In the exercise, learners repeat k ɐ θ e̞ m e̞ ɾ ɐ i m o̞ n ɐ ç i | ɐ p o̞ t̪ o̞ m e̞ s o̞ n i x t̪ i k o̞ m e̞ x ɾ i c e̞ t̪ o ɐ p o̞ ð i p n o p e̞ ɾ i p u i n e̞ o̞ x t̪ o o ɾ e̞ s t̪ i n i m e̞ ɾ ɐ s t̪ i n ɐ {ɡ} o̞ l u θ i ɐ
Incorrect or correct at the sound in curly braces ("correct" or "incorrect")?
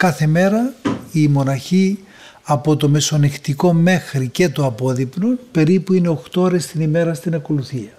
incorrect